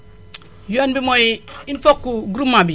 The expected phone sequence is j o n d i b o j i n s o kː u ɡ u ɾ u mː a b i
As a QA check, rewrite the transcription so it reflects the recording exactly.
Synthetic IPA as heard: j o n b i m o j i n f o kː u ɡ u ɾ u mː a b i